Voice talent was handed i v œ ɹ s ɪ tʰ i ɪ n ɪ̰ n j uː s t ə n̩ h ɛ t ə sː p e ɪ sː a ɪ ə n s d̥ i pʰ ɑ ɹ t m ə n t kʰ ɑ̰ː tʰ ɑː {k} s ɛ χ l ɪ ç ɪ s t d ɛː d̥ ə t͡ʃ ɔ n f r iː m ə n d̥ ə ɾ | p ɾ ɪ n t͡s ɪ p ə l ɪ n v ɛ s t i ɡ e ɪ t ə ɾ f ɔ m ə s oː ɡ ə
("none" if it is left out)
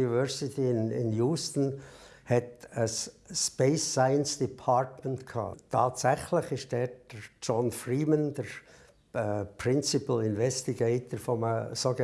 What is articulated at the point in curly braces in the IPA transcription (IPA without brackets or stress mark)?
t